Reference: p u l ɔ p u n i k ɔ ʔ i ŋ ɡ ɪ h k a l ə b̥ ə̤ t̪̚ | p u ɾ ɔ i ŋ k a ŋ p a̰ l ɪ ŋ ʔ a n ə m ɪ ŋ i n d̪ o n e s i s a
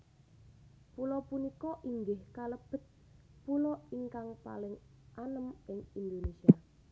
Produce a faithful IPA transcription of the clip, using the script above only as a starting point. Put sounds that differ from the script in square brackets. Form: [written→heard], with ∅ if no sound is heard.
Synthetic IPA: p u l ɔ p u n i k ɔ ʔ i ŋ ɡ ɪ h k a l ə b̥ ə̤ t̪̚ | p u [ɾ→l] ɔ i ŋ k a ŋ p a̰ l ɪ ŋ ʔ a n ə m ɪ ŋ i n d̪ o n e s i [s→∅] a